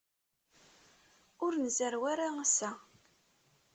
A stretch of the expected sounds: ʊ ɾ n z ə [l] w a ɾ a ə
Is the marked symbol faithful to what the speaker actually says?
no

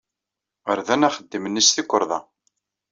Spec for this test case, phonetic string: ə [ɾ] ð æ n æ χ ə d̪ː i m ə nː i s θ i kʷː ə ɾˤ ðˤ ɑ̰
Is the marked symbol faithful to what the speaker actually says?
yes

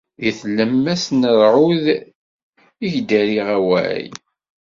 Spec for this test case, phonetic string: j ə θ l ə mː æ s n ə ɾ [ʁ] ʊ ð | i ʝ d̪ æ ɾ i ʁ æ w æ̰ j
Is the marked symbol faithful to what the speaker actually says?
no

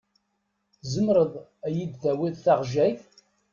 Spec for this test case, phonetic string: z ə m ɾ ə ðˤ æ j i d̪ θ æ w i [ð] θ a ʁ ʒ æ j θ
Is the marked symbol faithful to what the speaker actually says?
yes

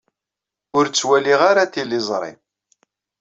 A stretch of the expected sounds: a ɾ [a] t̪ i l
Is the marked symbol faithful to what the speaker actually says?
yes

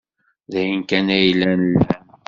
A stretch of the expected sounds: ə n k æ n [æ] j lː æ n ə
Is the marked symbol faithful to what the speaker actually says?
yes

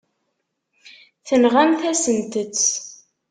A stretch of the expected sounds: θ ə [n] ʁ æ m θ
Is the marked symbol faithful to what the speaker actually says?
yes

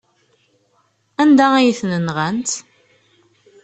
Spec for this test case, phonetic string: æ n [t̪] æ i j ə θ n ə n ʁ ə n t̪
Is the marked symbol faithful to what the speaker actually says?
no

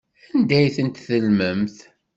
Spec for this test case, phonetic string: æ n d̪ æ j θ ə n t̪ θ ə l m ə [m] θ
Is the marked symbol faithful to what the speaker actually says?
yes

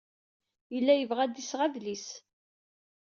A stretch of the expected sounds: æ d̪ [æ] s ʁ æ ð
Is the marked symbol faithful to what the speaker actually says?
no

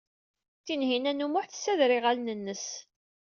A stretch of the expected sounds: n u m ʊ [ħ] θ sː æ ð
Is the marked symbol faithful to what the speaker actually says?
yes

